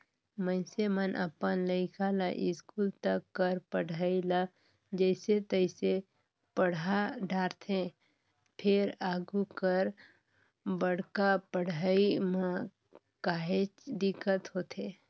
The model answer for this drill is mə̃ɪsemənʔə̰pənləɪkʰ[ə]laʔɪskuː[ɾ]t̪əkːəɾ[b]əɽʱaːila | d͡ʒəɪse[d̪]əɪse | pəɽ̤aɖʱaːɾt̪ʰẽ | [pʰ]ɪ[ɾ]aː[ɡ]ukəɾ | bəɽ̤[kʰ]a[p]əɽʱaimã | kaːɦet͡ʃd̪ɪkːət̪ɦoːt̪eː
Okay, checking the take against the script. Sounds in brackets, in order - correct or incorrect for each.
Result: incorrect: a, incorrect: l, incorrect: p, incorrect: t̪, correct, correct, correct, incorrect: k, correct

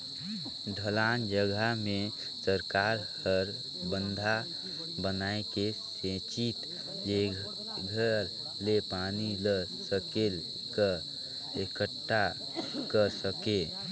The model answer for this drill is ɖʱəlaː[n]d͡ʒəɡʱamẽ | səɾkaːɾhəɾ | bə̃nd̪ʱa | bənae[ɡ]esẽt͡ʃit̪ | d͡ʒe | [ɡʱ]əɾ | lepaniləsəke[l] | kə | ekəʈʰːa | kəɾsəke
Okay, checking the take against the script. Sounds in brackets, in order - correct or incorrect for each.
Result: correct, incorrect: k, correct, correct

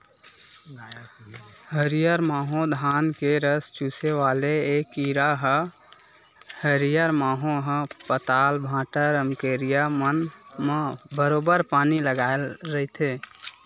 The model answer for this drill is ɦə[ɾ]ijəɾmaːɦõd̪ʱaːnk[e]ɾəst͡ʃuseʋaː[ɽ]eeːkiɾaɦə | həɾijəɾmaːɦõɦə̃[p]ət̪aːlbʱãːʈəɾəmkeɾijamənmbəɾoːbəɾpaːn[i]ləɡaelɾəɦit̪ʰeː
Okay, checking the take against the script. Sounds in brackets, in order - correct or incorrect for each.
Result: correct, correct, incorrect: l, correct, correct

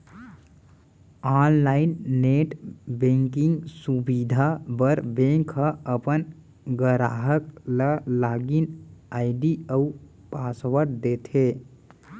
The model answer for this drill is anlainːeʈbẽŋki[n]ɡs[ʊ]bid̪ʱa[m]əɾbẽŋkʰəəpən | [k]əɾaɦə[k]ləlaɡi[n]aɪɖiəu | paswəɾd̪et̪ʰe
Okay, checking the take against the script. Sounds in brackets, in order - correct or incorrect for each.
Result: incorrect: ŋ, incorrect: u, incorrect: b, incorrect: ɡ, correct, correct

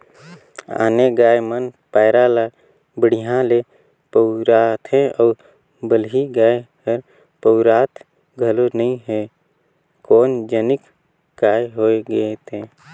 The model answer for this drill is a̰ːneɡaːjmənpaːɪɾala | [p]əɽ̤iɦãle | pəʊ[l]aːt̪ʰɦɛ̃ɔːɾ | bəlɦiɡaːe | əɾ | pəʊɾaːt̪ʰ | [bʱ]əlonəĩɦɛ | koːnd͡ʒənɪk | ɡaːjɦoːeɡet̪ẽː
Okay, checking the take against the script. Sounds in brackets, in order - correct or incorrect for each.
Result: incorrect: b, incorrect: ɾ, incorrect: ɡʱ

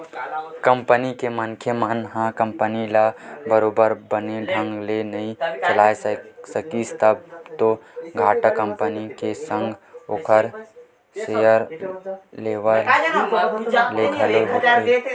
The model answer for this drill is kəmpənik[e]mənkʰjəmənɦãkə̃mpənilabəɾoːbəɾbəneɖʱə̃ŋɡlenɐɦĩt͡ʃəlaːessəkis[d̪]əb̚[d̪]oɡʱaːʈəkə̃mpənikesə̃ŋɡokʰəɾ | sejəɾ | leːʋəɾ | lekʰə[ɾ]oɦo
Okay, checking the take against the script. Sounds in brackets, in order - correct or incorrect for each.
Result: correct, incorrect: t̪, incorrect: t̪, incorrect: l

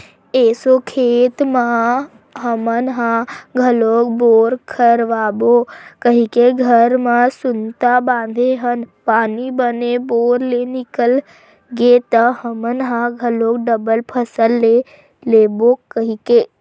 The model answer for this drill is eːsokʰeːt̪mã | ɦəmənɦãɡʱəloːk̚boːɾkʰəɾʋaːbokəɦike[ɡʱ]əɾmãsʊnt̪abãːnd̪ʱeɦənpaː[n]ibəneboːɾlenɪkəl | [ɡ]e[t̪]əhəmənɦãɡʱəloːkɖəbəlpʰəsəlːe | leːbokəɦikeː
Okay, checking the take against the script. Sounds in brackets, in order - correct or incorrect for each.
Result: correct, correct, correct, correct

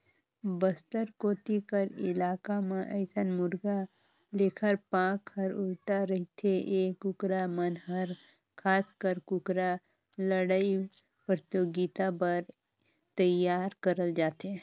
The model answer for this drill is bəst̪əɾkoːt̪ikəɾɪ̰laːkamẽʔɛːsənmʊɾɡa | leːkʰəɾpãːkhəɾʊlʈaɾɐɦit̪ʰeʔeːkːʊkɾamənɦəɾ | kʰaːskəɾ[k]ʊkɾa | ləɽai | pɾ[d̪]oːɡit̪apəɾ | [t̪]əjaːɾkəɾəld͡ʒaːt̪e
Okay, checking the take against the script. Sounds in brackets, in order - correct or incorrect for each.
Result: correct, incorrect: t̪, correct

